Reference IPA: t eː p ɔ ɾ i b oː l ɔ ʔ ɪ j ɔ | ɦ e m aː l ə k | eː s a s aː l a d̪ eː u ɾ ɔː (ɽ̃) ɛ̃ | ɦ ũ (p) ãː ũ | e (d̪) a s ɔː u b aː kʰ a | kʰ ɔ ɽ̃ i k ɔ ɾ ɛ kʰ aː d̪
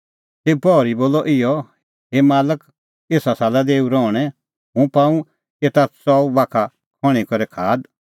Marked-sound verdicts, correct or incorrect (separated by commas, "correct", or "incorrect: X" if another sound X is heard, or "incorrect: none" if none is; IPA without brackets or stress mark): correct, correct, incorrect: t̪